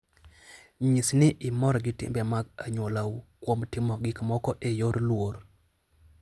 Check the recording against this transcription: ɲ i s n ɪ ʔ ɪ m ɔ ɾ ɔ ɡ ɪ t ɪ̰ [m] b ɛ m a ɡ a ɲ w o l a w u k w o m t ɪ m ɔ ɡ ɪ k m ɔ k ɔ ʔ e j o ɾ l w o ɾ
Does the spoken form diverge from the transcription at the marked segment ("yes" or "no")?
no